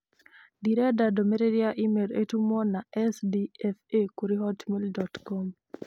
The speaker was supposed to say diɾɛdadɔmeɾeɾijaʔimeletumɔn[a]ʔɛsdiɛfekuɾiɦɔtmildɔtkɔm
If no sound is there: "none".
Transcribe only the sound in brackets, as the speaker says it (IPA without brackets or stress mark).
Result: a